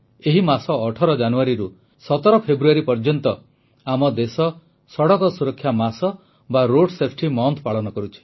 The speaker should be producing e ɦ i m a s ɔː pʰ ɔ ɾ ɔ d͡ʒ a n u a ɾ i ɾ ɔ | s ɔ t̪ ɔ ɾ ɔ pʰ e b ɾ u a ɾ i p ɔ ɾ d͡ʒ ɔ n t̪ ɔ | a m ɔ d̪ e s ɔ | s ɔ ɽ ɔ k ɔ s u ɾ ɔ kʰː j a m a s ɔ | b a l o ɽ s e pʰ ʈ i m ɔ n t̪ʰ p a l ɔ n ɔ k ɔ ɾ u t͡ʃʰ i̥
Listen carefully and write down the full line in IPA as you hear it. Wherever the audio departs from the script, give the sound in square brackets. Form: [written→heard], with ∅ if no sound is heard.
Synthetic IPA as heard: e ɦ i m a s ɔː [pʰ→ʈʰ] ɔ ɾ ɔ d͡ʒ a n u a ɾ i ɾ [ɔ→u] | s ɔ t̪ ɔ ɾ ɔ pʰ e b ɾ u a ɾ i p ɔ ɾ d͡ʒ ɔ n t̪ ɔ | a m ɔ d̪ e s ɔ | s ɔ ɽ ɔ k ɔ s u ɾ ɔ kʰː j a m a s ɔ | b a [l→ɾ] o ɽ s e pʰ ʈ i m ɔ n t̪ʰ p a [l→ɭ] ɔ n ɔ k ɔ ɾ u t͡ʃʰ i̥